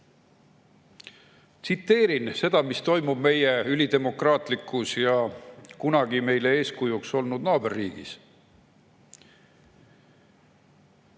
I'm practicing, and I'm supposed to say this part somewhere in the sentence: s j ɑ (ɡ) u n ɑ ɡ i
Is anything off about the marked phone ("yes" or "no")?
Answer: yes